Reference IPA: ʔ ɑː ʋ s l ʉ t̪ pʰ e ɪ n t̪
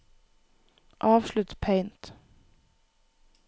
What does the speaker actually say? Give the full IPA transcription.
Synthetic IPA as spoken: ʔ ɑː ʋ ʃ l ʉ t̪ pʰ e ɪ n t̪